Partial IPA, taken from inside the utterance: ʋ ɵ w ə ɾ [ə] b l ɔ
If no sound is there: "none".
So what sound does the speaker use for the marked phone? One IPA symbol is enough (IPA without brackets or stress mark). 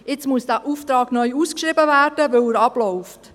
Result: ɑ